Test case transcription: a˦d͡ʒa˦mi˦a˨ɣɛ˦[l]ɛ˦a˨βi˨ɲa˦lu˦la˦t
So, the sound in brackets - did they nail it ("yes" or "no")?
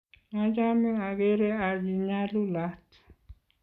no